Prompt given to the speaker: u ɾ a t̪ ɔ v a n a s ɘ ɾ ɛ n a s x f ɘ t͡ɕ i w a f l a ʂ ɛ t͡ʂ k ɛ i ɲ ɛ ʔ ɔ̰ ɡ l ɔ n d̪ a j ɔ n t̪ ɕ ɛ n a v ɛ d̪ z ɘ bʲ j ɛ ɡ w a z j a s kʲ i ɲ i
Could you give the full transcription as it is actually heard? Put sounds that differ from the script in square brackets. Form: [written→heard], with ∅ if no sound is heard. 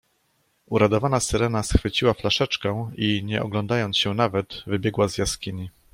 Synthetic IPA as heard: u ɾ a [t̪→d̪] ɔ v a n a s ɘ ɾ ɛ n a s x f ɘ t͡ɕ i w a f l a ʂ ɛ t͡ʂ k ɛ i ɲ ɛ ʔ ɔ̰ ɡ l ɔ n d̪ a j ɔ n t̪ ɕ ɛ n a v ɛ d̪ [z→v] ɘ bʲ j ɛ ɡ w a z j a s kʲ i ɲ i